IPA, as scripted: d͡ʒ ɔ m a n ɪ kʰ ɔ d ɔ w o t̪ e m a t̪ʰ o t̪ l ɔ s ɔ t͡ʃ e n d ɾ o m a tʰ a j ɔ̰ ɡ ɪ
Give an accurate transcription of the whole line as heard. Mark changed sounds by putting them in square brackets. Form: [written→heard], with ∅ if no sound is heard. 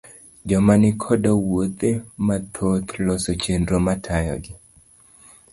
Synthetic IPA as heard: d͡ʒ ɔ m a n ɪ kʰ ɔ d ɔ w o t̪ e m a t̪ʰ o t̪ l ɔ s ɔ t͡ʃ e n d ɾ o m a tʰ a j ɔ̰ ɡ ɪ